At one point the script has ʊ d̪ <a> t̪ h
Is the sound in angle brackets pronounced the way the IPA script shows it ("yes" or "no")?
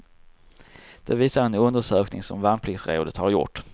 no